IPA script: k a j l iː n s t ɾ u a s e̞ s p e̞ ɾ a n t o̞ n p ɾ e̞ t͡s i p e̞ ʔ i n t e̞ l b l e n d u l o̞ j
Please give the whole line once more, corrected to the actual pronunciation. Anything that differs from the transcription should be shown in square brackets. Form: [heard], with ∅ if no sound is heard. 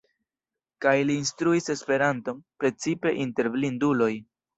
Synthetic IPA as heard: k a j l iː n s t ɾ u [i] s e̞ s p e̞ ɾ a n t o̞ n p ɾ e̞ t͡s i p e̞ ʔ i n t e̞ [ɾ] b l [i] n d u l o̞ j